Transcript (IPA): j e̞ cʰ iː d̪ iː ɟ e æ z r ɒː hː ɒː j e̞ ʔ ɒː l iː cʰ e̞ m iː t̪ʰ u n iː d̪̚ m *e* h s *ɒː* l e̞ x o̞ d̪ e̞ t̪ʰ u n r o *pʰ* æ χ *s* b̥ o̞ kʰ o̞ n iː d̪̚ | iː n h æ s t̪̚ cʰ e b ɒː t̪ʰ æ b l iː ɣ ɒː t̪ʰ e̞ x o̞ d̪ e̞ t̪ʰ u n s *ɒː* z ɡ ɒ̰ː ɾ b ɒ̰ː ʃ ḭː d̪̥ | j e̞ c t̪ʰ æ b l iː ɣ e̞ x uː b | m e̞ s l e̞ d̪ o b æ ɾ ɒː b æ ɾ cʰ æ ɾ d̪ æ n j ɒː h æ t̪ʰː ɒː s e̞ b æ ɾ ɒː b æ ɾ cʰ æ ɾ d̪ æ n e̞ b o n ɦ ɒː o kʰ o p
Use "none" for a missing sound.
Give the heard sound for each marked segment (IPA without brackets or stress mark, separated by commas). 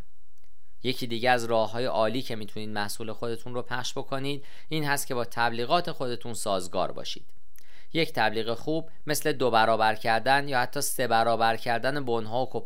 æ, uː, pʰ, ʃ, ɒː